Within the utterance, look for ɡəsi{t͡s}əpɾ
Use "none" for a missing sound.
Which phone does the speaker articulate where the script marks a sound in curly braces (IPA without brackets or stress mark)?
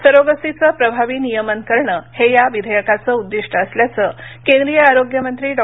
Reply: t͡s